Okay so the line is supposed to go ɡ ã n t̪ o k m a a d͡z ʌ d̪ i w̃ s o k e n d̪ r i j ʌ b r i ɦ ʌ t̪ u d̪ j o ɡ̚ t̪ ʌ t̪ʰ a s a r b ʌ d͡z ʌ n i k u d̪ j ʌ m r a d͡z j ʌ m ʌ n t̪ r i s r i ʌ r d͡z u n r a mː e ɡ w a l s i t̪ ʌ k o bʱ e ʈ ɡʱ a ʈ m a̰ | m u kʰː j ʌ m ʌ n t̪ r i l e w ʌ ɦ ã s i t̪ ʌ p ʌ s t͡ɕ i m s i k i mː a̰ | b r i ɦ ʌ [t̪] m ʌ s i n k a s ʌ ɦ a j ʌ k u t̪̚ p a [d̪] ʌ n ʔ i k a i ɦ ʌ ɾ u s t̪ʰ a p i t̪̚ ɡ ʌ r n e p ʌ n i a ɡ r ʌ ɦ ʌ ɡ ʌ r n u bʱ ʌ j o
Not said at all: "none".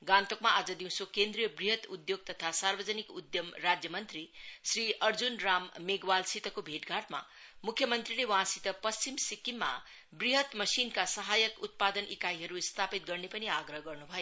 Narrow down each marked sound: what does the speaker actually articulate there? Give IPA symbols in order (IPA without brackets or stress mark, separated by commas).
t̪, d̪